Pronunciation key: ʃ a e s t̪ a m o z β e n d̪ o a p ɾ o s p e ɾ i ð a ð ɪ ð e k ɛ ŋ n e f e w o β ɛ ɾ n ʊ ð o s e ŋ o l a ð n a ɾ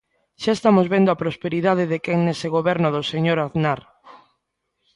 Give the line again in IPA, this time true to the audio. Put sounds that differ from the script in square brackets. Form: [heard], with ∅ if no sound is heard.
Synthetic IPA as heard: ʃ a e s t̪ a m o z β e n d̪ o a p ɾ o s p e ɾ i ð a ð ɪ ð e k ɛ ŋ n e [s] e [ɣ] o β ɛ ɾ n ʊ ð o s e [ɲ] o [ɾ] a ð n a ɾ